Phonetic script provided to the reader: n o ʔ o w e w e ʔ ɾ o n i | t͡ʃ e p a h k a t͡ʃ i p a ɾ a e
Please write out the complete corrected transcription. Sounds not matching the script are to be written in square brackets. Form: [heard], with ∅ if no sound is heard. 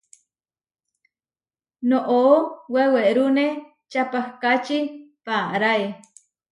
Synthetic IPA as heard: n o ʔ o w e w e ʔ ɾ [u] n [e] | t͡ʃ [a] p a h k a t͡ʃ i p a ɾ a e

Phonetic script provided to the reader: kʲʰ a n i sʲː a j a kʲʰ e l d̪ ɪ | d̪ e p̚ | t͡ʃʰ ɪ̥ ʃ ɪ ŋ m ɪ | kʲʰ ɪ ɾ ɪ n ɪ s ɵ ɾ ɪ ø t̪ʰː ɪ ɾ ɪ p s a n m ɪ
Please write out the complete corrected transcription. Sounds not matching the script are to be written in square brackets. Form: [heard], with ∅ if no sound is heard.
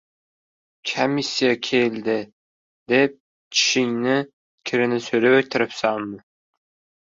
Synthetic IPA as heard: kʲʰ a [m] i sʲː [i] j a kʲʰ e l d̪ ɪ | d̪ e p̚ | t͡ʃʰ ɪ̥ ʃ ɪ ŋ [n] ɪ | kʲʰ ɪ ɾ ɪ n ɪ s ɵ ɾ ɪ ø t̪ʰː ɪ ɾ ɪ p s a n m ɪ

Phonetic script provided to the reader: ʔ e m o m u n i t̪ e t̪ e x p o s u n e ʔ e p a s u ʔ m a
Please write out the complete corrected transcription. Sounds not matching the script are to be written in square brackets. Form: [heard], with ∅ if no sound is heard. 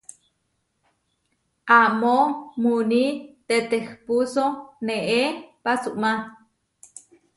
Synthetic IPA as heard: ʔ [a] m o m u n i t̪ e t̪ e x p [u] s [o] n e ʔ e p a s u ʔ m a

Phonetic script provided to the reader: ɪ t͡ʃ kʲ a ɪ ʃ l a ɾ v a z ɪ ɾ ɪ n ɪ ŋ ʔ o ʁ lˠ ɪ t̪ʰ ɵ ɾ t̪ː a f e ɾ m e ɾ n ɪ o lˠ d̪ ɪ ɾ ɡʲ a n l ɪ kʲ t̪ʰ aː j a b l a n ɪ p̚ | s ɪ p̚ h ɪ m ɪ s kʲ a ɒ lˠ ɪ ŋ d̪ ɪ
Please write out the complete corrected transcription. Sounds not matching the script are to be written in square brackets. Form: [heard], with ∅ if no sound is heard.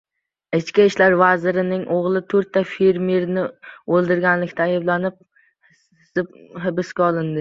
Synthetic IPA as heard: ɪ t͡ʃ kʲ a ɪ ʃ l a ɾ v a z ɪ ɾ ɪ n ɪ ŋ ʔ o ʁ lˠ ɪ t̪ʰ ɵ ɾ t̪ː a f e ɾ m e ɾ n ɪ o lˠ d̪ ɪ ɾ ɡʲ a n l ɪ kʲ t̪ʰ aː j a b l a n ɪ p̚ | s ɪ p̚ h ɪ [b] ɪ s kʲ a ɒ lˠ ɪ [n] d̪ ɪ

